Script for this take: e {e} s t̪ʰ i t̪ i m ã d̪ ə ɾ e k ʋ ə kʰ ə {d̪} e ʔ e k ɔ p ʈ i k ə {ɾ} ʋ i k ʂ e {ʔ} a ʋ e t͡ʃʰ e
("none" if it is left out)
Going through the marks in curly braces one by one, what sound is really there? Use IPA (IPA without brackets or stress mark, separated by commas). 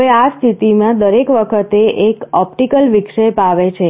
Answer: a, t̪, l, p